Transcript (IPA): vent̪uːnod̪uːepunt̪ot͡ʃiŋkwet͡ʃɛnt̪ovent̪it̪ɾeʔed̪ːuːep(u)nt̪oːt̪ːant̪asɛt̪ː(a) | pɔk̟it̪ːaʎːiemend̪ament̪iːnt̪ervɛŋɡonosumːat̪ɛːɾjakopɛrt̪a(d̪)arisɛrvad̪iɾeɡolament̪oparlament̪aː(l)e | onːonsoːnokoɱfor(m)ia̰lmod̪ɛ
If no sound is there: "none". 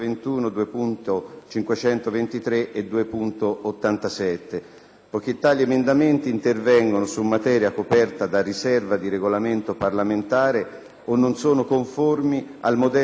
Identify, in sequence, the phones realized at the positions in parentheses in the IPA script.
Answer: u, e, d̪, ɾ, m

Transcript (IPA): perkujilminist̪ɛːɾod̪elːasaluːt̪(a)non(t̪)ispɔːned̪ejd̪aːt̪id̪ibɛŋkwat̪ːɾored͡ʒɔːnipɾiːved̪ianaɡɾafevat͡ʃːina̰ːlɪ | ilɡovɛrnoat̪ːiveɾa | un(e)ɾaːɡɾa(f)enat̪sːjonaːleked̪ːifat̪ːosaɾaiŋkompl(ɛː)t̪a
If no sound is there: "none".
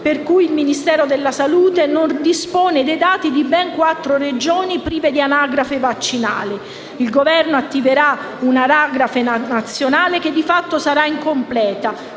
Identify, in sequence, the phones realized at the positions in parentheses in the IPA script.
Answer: e, d̪, a, f, ɛː

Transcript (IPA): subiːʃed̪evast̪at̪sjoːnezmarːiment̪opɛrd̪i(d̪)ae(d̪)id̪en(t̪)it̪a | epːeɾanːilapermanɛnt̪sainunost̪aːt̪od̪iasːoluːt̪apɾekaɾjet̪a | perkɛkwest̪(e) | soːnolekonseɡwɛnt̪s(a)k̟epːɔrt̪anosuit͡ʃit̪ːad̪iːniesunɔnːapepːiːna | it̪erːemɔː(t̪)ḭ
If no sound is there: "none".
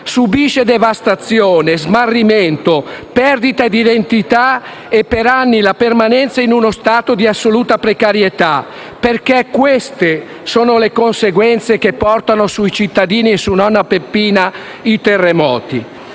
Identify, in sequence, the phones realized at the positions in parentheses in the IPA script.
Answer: t̪, d̪, t̪, e, e, t̪

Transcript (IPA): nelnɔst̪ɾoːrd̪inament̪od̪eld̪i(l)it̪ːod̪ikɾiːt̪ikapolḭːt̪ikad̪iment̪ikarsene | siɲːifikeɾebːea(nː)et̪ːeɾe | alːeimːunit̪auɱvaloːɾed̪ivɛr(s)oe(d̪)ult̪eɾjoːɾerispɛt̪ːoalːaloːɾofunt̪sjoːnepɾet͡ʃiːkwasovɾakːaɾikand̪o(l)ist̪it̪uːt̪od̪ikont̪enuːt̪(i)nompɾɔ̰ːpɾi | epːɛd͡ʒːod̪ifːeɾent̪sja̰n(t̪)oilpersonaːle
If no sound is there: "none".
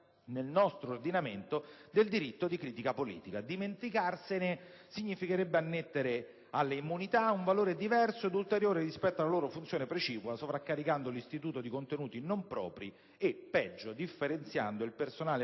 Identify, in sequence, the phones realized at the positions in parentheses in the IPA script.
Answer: ɾ, nː, s, d̪, l, i, d̪

